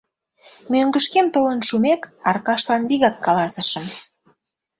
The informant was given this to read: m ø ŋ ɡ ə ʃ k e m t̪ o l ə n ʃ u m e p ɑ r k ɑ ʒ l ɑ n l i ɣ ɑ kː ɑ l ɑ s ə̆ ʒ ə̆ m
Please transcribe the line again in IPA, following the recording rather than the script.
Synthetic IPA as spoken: m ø ŋ ɡ ə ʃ k e m t̪ o l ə n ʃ u m e k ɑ r k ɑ ʃ l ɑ n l i ɣ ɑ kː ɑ l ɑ s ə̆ ʃ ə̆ m